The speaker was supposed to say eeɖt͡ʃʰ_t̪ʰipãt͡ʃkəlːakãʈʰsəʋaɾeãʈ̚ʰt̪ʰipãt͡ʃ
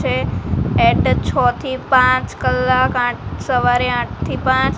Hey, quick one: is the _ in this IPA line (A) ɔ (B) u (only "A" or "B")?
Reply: A